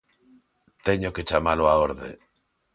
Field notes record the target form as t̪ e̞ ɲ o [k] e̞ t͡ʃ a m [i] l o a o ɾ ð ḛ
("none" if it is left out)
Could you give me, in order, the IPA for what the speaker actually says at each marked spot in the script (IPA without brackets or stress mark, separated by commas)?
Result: k, a